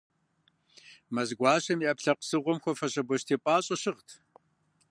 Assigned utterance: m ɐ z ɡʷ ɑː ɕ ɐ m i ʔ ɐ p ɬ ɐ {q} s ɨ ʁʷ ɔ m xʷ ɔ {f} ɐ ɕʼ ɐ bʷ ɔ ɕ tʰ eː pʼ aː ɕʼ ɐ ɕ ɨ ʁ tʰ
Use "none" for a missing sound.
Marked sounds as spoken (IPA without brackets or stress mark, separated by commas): q, f